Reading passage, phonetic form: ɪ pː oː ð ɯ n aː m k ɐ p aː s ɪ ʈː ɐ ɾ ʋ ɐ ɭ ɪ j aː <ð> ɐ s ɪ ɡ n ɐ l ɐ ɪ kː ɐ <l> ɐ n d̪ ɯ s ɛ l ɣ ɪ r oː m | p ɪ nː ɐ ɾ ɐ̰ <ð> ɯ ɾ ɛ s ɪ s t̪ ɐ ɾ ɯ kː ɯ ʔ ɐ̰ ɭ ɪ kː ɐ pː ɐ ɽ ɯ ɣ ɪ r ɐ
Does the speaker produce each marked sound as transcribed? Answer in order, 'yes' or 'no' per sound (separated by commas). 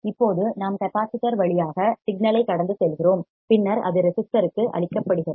no, no, yes